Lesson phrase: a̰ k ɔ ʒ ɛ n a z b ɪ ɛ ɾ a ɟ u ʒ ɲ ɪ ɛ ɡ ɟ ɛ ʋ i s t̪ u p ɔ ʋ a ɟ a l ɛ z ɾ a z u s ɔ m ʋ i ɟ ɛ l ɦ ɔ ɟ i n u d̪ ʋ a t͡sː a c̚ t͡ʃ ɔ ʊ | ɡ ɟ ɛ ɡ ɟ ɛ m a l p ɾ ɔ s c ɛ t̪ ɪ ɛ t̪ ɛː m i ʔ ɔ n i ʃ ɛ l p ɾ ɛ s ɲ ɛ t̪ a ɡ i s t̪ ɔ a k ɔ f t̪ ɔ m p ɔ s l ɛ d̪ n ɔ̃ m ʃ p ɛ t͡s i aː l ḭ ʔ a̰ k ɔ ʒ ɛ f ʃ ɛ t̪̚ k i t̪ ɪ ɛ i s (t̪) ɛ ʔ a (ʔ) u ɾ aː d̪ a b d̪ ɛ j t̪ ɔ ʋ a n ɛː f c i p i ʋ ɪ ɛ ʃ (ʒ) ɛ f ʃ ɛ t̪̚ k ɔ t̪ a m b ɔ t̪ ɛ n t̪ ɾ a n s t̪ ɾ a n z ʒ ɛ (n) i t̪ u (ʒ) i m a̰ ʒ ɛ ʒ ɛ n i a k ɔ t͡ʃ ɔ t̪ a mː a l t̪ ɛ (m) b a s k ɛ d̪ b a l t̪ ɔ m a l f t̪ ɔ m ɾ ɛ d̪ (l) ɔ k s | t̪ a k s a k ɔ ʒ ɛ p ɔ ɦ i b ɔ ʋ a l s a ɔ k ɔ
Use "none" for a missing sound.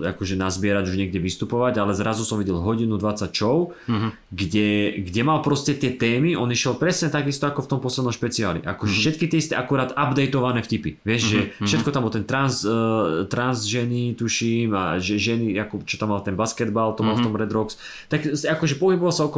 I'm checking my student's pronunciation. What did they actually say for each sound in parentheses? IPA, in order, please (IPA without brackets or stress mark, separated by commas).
t̪, k, ʒ, n, ʃ, n, ɾ